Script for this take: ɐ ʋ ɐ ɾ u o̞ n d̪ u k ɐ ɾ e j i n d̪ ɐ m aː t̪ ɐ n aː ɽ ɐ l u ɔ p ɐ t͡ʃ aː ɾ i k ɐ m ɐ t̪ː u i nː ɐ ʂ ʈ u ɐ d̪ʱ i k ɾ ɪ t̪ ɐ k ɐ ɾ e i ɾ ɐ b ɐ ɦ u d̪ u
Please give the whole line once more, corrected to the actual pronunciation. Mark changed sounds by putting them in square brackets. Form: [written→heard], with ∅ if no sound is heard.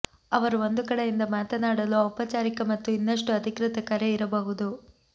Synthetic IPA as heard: ɐ ʋ ɐ ɾ u o̞ n d̪ u k ɐ [ɾ→ɽ] e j i n d̪ ɐ m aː t̪ ɐ n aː ɽ ɐ l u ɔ p ɐ t͡ʃ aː ɾ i k ɐ m ɐ t̪ː u i nː ɐ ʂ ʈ u ɐ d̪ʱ i k ɾ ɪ t̪ ɐ k ɐ ɾ e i ɾ ɐ b ɐ ɦ u d̪ u